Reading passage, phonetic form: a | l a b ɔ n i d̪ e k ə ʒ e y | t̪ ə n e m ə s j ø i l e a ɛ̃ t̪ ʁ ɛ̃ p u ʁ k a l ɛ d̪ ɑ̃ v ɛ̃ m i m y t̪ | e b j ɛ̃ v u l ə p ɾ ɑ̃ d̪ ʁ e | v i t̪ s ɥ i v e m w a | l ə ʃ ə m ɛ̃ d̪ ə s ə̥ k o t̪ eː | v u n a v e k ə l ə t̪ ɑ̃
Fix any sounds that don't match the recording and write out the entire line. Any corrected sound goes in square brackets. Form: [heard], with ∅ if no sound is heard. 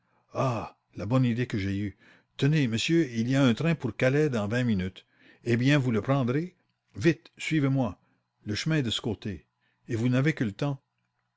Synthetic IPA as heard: a | l a b ɔ n i d̪ e k ə ʒ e y | t̪ ə n e m ə s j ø i l [i] a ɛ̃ t̪ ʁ ɛ̃ p u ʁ k a l ɛ d̪ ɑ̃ v ɛ̃ m i [n] y t̪ | e b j ɛ̃ v u l ə p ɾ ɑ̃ d̪ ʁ e | v i t̪ s ɥ i v e m w a | l ə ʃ ə m ɛ̃ d̪ ə s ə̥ k o t̪ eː | v u n a v e k ə l ə t̪ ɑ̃

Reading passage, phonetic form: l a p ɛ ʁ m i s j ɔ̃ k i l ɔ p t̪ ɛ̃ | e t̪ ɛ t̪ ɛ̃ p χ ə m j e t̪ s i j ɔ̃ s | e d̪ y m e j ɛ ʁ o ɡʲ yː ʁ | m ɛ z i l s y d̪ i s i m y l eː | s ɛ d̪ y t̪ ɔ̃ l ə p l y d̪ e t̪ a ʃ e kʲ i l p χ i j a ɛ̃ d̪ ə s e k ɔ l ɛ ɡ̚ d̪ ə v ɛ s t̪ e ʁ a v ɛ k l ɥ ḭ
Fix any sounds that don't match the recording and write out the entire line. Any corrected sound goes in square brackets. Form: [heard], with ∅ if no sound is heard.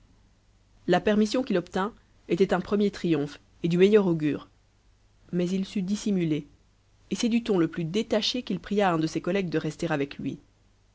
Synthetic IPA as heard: l a p ɛ ʁ m i s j ɔ̃ k i l ɔ p t̪ ɛ̃ | e t̪ ɛ t̪ ɛ̃ p χ ə m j e t̪ [χ] i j ɔ̃ [f] | e d̪ y m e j [œ] ʁ o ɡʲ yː ʁ | m ɛ z i l s y d̪ i s i m y l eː | s ɛ d̪ y t̪ ɔ̃ l ə p l y d̪ e t̪ a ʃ e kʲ i l p χ i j a ɛ̃ d̪ ə s e k ɔ l ɛ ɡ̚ d̪ ə [ʁ] ɛ s t̪ e ʁ a v ɛ k l ɥ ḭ

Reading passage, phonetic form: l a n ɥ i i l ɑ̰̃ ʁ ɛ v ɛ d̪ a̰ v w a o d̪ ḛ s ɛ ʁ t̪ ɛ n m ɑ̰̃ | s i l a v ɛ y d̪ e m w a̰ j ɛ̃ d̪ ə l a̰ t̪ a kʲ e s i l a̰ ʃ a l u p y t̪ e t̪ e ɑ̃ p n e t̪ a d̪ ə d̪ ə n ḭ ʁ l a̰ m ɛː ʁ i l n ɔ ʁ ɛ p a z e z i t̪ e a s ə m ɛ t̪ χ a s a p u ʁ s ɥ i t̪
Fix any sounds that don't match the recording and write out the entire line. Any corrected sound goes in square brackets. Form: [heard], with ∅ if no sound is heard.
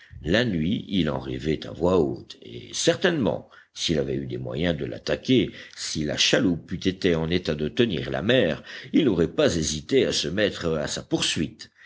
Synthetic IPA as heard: l a n ɥ i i l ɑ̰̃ ʁ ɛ v ɛ [t̪] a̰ v w a o [t̪] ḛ s ɛ ʁ t̪ ɛ n m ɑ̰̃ | s i l a v ɛ y d̪ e m w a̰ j ɛ̃ d̪ ə l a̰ t̪ a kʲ e s i l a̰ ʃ a l u p y t̪ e t̪ e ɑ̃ [∅] n e t̪ a d̪ ə [t̪] ə n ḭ ʁ l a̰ m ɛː ʁ i l n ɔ ʁ ɛ p a z e z i t̪ e a s ə m ɛ t̪ χ a s a p u ʁ s ɥ i t̪

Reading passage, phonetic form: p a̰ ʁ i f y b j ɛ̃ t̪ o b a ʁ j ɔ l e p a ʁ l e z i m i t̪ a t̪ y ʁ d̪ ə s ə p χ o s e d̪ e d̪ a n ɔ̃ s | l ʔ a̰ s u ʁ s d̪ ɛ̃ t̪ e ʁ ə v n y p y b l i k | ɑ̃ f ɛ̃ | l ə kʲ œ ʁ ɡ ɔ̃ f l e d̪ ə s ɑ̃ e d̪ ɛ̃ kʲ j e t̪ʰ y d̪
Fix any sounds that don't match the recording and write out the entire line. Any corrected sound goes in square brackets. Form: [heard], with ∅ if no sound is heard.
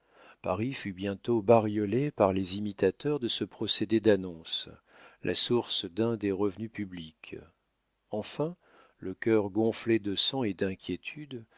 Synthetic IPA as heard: p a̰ ʁ i f y b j ɛ̃ t̪ o b a ʁ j ɔ l e p a ʁ l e z i m i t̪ a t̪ [œ] ʁ d̪ ə s ə p χ [ɔ] s e d̪ e d̪ a n ɔ̃ s | l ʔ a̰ s u ʁ s d̪ ɛ̃ [d̪] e ʁ ə v n y p y b l i k | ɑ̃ f ɛ̃ | l ə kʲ œ ʁ ɡ ɔ̃ f l e d̪ ə s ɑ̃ e d̪ ɛ̃ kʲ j e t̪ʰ y d̪

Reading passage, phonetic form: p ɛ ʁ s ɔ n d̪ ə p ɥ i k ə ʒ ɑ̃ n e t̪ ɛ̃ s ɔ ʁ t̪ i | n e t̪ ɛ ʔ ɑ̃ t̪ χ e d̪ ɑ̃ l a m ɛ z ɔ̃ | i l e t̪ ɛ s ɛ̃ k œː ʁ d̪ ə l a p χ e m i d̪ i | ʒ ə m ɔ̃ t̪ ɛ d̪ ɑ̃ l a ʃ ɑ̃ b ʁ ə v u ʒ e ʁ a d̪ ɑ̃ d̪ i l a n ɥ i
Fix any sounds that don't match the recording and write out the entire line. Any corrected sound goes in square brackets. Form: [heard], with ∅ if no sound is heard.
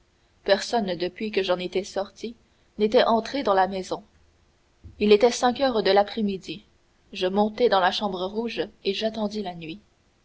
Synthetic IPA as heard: p ɛ ʁ s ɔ n d̪ ə p ɥ i k ə ʒ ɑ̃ n e t̪ [ɛ] s ɔ ʁ t̪ i | n e t̪ ɛ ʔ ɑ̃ t̪ χ e d̪ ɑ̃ l a m ɛ z ɔ̃ | i l e t̪ ɛ s ɛ̃ k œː ʁ d̪ ə l a p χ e m i d̪ i | ʒ ə m ɔ̃ t̪ ɛ d̪ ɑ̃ l a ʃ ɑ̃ b ʁ ə [ʁ] u ʒ e [ʒ] a [t̪] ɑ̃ d̪ i l a n ɥ i

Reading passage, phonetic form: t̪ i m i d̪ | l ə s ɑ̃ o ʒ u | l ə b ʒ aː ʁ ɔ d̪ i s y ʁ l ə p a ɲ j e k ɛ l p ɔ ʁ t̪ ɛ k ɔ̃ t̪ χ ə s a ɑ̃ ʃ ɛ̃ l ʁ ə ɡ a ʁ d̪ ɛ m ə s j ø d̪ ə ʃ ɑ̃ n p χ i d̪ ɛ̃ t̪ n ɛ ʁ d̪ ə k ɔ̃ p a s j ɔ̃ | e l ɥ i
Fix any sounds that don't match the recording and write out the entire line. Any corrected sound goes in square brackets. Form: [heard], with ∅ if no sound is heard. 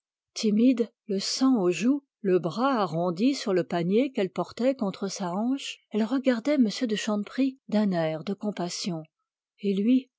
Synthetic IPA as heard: t̪ i m i d̪ | l ə s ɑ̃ o ʒ u | l ə b [ʁ] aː ʁ [ɔ̃] d̪ i s y ʁ l ə p a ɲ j e k ɛ l p ɔ ʁ t̪ ɛ k ɔ̃ t̪ χ ə s a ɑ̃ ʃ [ɛ] l ʁ ə ɡ a ʁ d̪ ɛ m ə s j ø d̪ ə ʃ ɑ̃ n p χ i d̪ ɛ̃ [∅] n ɛ ʁ d̪ ə k ɔ̃ p a s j ɔ̃ | e l ɥ i

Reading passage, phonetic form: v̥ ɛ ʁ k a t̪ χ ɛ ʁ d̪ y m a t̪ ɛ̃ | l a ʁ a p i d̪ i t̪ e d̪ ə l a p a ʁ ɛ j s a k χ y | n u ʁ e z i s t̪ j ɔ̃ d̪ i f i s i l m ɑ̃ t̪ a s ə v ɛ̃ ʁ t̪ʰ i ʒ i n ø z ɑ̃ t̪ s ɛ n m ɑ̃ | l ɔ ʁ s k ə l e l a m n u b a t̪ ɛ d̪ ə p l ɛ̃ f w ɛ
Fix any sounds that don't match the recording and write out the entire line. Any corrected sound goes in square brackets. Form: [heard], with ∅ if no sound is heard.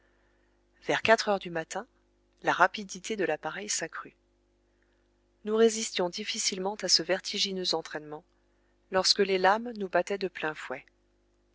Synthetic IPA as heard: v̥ ɛ ʁ k a t̪ χ [œ] ʁ d̪ y m a t̪ ɛ̃ | l a ʁ a p i d̪ i t̪ e d̪ ə l a p a ʁ ɛ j s a k χ y | n u ʁ e z i s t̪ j ɔ̃ d̪ i f i s i l m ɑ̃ t̪ a s ə v [ɛ] ʁ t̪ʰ i ʒ i n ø z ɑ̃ t̪ [χ] ɛ n m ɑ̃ | l ɔ ʁ s k ə l e l a m n u b a t̪ ɛ d̪ ə p l ɛ̃ f w ɛ

